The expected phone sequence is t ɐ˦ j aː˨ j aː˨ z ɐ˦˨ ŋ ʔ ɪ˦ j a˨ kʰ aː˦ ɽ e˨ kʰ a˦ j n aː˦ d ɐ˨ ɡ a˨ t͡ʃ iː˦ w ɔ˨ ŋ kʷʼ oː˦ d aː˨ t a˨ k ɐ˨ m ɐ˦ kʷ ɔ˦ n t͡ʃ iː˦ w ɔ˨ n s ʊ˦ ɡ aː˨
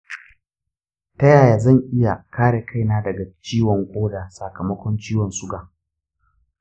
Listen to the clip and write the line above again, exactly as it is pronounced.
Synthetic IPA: t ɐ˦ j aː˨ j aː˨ z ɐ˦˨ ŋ ʔ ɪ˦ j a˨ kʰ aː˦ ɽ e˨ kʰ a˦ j n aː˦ d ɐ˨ ɡ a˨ t͡ʃ iː˦ w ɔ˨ ŋ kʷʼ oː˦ d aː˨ s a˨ k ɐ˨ m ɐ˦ kʷ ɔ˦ n t͡ʃ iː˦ w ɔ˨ n s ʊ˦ ɡ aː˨